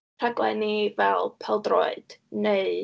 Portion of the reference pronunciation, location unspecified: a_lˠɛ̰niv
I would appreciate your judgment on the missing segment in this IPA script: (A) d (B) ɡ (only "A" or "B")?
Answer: B